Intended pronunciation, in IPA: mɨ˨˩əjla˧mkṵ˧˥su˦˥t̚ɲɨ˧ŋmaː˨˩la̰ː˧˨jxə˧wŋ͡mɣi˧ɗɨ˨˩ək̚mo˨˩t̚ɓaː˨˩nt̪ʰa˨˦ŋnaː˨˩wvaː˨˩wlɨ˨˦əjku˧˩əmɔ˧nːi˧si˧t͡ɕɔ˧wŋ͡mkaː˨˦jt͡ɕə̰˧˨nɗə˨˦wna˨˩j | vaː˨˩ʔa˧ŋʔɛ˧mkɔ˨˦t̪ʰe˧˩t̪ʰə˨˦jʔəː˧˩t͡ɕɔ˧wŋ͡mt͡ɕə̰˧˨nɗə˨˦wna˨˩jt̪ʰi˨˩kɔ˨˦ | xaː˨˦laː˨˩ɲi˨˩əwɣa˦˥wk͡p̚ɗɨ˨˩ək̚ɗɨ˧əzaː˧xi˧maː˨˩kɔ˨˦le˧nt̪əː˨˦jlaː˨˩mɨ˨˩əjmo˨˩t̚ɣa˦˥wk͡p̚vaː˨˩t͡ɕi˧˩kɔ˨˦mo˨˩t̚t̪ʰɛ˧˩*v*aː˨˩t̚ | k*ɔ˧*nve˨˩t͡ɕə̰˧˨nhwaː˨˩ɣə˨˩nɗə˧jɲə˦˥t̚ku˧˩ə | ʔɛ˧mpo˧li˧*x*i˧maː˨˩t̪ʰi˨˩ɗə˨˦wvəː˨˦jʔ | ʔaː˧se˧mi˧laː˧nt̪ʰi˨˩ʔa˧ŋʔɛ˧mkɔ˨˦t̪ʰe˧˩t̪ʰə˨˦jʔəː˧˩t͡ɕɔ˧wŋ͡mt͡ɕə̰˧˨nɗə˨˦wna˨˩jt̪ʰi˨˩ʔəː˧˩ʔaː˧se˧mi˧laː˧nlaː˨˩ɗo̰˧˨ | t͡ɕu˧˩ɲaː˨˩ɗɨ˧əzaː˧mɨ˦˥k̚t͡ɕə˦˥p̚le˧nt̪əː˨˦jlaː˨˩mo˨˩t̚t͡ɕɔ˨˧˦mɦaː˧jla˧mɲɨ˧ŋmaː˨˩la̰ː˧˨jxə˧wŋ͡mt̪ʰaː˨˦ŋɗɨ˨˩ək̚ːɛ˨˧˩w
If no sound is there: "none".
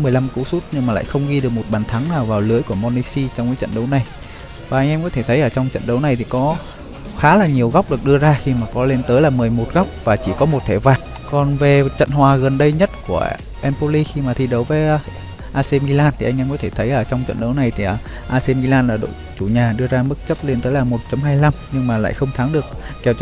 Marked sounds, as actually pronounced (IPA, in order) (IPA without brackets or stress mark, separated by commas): v, ɔ˨˩, x